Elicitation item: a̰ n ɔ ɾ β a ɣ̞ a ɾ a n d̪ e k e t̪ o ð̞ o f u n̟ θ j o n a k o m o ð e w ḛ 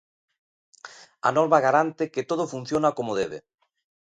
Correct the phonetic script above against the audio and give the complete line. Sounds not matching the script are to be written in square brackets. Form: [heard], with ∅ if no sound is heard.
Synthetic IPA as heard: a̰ n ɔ ɾ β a ɣ̞ a ɾ a n [t̪] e k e t̪ o ð̞ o f u n̟ θ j o n a k o m o ð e [β] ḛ

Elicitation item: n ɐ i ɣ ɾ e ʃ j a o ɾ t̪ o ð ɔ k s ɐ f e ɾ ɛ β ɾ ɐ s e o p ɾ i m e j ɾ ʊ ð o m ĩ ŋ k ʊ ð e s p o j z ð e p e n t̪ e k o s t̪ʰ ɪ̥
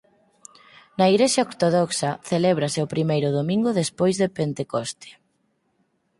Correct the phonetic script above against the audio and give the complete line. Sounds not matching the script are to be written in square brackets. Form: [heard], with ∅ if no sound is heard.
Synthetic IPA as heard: n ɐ i ɣ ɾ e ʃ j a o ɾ t̪ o ð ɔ k s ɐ [θ] e [l] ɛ β ɾ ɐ s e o p ɾ i m e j ɾ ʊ ð o m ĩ ŋ [ɡ] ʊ ð e s p o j z ð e p e n t̪ e k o s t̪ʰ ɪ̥

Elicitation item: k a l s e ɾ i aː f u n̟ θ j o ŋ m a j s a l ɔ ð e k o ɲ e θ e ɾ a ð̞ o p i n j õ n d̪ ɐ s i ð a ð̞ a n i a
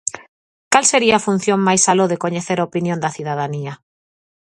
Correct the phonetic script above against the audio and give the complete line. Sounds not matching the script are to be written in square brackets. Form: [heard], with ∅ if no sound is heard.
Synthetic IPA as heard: k a l s e ɾ i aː f u n̟ θ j o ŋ m a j s a l [o] ð e k o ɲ e θ e ɾ a [∅] o p i n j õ n d̪ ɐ [θ] i ð a ð̞ a n i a

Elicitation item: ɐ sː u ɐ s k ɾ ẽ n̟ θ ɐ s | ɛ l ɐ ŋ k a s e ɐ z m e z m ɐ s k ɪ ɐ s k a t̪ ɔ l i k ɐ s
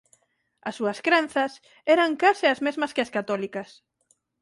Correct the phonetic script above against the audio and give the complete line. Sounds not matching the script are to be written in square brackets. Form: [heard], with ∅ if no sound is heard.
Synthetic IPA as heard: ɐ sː u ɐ s k ɾ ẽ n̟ θ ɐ s | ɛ [ɾ] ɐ ŋ k a s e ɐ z m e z m ɐ s k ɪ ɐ s k a t̪ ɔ l i k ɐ s

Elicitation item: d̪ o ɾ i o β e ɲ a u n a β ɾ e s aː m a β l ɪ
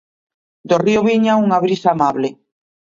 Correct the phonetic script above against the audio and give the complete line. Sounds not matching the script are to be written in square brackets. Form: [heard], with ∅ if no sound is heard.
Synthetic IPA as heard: d̪ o [r] i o β [i] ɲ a u [ŋ] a β ɾ [i] s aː m a β l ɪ

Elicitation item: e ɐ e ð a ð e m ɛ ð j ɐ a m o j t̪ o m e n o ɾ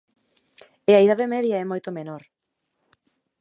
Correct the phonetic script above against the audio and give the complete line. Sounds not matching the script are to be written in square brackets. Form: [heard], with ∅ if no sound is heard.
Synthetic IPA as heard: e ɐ [i] ð a ð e m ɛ ð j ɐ [ɛ] m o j t̪ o m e n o ɾ

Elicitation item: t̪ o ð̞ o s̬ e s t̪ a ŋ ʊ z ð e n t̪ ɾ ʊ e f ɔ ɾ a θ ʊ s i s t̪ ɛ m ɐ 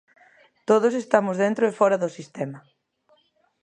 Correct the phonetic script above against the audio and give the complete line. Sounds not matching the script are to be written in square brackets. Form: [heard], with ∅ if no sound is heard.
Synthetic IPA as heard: t̪ o ð̞ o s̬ e s t̪ a [m] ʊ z ð e n t̪ ɾ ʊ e f ɔ ɾ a [ð] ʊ s i s t̪ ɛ m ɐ

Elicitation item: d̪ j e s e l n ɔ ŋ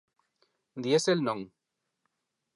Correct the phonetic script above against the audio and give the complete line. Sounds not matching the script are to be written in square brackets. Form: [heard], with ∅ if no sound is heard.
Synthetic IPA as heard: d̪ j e s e l n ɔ ŋ

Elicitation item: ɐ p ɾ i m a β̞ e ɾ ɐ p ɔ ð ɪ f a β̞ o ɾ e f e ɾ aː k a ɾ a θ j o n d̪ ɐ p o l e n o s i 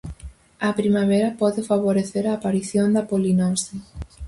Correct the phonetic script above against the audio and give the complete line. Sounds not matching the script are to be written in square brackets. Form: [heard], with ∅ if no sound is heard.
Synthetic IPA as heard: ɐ p ɾ i m a β̞ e ɾ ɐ p ɔ ð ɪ f a β̞ o ɾ e [θ] e ɾ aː [p] a ɾ [i] θ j o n d̪ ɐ p o l [i] n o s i

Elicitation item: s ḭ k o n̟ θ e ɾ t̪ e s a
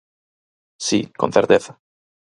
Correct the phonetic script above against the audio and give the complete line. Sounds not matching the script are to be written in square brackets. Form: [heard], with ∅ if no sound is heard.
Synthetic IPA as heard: s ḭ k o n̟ θ e ɾ t̪ e [θ] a

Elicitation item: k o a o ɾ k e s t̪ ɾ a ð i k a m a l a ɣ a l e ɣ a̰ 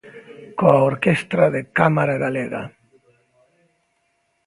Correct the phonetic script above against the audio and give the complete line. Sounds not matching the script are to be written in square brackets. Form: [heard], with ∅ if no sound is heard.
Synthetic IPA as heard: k o a o ɾ k e s t̪ ɾ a ð [e] k a m a [ɾ] a ɣ a l e ɣ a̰

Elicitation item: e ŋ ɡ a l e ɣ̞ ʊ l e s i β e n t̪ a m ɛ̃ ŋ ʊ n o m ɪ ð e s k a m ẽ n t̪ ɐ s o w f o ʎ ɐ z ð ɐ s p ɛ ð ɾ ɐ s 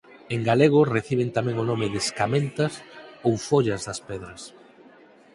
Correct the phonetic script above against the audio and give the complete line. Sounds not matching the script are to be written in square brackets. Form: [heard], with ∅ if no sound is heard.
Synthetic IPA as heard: e ŋ ɡ a l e ɣ̞ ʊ [r] e [θ] i β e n t̪ a m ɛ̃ ŋ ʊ n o m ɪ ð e s k a m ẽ n t̪ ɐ s o w f o ʎ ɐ z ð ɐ s p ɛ ð ɾ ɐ s

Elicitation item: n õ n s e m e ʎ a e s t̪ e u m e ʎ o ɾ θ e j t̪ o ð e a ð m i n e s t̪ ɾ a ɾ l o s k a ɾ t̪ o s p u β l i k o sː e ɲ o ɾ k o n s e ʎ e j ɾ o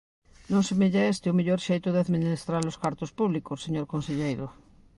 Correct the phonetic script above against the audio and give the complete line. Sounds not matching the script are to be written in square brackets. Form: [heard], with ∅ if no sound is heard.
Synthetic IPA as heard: n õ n s e m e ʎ a e s t̪ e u m e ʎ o ɾ [ʃ] e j t̪ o ð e a ð m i n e s t̪ ɾ a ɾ l o s k a ɾ t̪ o s p u β l i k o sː e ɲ o ɾ k o n s e ʎ e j ɾ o

